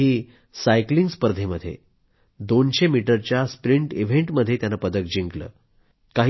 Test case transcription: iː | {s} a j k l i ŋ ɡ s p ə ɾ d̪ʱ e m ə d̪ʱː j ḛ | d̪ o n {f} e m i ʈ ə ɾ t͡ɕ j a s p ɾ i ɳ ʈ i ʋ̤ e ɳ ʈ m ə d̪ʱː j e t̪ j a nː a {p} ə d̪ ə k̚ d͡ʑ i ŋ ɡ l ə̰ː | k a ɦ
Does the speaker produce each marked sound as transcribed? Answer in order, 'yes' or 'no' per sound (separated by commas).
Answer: yes, no, yes